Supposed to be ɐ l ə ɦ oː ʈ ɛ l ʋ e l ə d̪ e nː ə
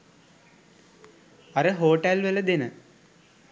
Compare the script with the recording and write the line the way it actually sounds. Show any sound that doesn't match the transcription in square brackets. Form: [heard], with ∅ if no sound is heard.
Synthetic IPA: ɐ [ɾ] ə ɦ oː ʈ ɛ l ʋ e l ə d̪ e [n] ə